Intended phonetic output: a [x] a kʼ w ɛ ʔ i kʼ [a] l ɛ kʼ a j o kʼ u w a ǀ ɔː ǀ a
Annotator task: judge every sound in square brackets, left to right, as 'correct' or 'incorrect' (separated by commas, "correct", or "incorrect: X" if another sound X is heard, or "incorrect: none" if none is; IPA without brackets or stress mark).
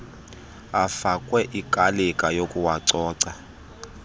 incorrect: f, correct